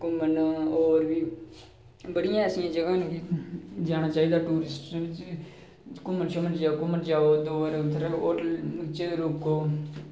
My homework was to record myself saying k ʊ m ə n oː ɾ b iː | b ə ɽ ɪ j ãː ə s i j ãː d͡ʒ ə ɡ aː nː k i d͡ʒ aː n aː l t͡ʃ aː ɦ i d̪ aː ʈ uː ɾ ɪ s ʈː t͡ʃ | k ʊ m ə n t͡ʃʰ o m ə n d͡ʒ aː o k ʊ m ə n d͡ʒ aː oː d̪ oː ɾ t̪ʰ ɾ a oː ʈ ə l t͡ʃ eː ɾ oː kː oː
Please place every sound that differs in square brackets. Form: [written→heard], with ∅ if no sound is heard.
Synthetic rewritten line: k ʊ m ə n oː ɾ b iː | b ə ɽ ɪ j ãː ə s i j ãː d͡ʒ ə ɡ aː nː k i d͡ʒ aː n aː [l→∅] t͡ʃ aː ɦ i d̪ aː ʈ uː ɾ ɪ s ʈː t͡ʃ | k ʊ m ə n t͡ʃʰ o m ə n d͡ʒ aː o k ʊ m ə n d͡ʒ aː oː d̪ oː ɾ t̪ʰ ɾ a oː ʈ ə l t͡ʃ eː ɾ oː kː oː